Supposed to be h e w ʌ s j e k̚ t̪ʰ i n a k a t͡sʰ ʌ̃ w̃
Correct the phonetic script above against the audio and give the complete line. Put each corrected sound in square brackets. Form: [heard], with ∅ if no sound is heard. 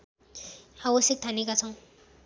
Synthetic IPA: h [a] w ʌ s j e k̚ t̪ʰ [a] n [e] k a t͡sʰ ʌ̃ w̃